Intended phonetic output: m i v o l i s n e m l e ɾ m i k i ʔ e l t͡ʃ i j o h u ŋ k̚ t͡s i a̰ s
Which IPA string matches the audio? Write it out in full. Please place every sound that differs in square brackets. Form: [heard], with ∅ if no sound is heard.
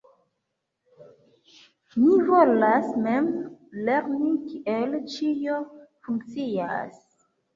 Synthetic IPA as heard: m i v o l [a] s [m] e m l e ɾ [n] i k i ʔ e l t͡ʃ i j o [f] u ŋ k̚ t͡s i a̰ s